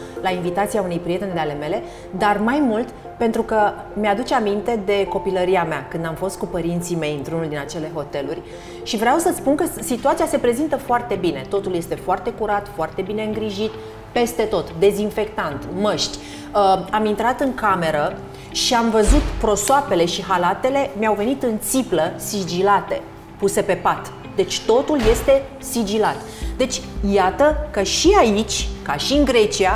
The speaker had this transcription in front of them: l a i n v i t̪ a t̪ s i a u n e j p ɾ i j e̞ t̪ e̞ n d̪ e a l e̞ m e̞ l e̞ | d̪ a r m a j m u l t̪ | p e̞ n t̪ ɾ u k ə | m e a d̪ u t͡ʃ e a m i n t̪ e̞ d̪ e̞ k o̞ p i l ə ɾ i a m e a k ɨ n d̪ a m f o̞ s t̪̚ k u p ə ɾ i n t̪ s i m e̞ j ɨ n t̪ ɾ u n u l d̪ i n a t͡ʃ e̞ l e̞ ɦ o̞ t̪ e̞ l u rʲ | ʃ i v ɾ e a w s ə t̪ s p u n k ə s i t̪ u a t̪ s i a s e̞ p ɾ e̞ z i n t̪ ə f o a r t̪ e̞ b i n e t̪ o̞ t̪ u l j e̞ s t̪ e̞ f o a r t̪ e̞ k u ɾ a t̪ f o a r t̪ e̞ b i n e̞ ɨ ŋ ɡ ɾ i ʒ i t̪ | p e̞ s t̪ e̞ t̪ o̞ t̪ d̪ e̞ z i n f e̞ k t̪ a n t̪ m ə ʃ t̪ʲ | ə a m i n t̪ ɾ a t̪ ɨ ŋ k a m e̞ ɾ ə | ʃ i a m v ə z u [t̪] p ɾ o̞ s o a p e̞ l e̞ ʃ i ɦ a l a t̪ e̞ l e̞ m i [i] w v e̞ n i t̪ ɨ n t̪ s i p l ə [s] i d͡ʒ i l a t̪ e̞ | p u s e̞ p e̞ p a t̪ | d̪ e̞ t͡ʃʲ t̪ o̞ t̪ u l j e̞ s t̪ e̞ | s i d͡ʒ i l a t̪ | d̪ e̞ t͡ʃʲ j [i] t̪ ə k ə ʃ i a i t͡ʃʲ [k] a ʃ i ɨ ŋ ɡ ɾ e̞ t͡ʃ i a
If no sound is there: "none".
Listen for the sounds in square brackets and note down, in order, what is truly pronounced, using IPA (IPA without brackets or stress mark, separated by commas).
t̪, a, s, a, k